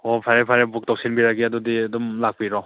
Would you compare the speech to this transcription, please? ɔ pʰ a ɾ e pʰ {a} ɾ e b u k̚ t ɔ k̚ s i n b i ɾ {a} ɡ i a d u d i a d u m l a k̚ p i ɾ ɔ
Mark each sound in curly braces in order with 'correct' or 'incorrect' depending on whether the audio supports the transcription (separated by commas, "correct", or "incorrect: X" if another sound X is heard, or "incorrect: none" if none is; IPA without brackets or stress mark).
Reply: correct, correct